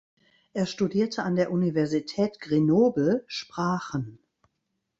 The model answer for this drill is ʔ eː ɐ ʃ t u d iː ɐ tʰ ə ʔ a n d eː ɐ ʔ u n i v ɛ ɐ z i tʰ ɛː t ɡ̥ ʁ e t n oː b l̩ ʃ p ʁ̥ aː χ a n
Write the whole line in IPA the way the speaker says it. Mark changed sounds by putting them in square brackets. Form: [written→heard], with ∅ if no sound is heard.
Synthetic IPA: ʔ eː ɐ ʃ t u d iː ɐ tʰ ə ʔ a n d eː ɐ ʔ u n i v ɛ ɐ z i tʰ ɛː t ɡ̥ ʁ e [t→∅] n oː b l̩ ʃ p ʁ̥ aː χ [a→ə] n